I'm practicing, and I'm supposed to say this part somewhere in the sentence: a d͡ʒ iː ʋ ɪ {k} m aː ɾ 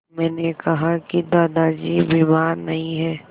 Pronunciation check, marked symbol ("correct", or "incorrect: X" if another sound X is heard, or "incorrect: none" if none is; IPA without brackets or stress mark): incorrect: none